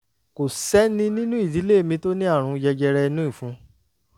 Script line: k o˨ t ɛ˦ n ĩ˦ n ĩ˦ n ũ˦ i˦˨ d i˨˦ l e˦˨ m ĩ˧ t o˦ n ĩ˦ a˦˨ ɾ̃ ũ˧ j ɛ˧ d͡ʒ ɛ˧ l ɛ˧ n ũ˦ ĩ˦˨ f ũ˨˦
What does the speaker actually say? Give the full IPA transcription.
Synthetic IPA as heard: k o˨ s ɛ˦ n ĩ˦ n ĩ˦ n ũ˦ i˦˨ d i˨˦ l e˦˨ m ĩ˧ t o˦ n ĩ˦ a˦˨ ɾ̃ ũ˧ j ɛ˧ d͡ʒ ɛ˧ ɾ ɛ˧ n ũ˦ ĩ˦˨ f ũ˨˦